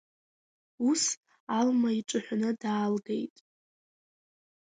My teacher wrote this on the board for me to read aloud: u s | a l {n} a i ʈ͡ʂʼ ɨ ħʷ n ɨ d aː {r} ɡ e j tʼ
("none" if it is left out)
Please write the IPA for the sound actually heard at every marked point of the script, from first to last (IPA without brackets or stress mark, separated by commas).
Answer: m, l